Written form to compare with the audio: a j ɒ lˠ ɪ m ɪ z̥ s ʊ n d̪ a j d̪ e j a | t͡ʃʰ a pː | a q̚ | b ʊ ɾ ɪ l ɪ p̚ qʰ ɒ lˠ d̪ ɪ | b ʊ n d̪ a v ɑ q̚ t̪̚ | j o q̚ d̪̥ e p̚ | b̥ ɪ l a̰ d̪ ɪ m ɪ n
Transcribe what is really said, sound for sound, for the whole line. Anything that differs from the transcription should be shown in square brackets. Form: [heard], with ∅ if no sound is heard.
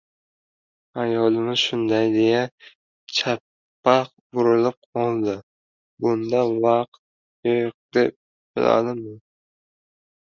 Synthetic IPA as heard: a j ɒ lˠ ɪ m ɪ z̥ [ʃ] ʊ n d̪ a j d̪ e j a | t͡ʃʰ a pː | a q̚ | b ʊ ɾ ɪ l ɪ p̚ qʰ ɒ lˠ d̪ ɪ | b ʊ n d̪ a v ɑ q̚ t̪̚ | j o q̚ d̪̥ e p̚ | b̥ ɪ l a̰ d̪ ɪ m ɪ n